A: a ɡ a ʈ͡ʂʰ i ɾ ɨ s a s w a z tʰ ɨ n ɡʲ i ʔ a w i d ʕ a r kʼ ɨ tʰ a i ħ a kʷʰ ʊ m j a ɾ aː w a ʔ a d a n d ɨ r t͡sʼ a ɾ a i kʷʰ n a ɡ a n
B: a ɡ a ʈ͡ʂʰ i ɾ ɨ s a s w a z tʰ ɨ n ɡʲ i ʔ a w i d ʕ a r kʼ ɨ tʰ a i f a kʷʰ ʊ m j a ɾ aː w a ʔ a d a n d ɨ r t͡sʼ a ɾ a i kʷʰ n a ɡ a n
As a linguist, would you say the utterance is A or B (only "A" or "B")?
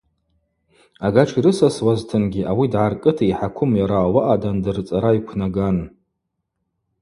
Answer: A